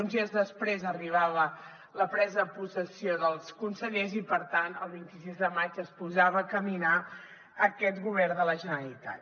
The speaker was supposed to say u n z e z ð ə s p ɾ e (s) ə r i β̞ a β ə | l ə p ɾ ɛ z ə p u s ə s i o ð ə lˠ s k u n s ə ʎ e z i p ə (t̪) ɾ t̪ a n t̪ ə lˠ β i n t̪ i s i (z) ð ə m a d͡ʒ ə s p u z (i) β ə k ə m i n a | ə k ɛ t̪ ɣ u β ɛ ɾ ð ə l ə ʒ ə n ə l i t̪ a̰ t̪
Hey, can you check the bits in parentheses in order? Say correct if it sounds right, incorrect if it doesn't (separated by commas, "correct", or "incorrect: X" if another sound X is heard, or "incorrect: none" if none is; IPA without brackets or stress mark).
incorrect: z, incorrect: none, correct, incorrect: a